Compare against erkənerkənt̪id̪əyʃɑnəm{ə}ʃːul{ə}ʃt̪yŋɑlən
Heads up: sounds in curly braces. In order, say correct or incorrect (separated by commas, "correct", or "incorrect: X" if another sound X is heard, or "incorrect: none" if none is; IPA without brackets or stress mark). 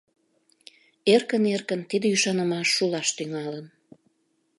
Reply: incorrect: ɑ, incorrect: ɑ